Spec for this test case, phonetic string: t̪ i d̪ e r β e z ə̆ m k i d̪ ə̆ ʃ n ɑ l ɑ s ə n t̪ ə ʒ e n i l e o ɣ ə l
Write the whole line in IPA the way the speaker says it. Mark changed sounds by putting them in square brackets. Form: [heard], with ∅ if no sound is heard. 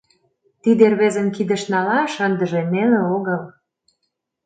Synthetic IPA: t̪ i d̪ e r β e z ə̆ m k i d̪ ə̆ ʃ n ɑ l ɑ [ʃ] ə n [d̪] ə ʒ e n [e] l e o ɣ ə l